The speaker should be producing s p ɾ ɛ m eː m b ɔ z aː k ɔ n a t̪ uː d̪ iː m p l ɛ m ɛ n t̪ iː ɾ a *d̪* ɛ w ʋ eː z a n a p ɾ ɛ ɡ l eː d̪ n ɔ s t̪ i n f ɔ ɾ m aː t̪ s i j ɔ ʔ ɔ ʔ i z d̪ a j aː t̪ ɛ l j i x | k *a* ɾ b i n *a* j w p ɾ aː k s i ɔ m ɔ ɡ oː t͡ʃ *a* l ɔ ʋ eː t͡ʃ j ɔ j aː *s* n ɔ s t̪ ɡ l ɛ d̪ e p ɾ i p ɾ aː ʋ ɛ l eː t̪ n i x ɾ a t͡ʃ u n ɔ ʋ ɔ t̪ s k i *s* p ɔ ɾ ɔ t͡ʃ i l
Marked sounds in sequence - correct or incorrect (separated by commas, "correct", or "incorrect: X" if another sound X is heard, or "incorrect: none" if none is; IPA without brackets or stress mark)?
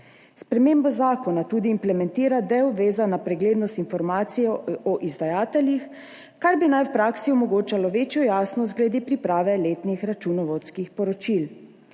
correct, correct, correct, correct, correct, incorrect: x